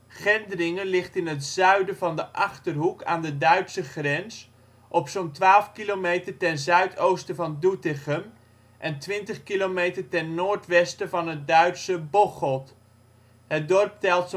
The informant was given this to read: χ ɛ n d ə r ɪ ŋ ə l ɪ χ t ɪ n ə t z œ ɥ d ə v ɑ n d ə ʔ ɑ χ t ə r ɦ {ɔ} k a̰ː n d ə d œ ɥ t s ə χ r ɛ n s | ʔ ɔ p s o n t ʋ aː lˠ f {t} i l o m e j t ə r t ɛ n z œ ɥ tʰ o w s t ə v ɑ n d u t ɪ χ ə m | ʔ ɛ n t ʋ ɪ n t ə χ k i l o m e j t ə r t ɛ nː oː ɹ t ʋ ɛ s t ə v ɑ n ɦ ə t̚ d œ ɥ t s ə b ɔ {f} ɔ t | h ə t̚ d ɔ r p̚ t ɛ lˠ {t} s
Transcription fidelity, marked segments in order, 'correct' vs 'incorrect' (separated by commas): incorrect, incorrect, incorrect, correct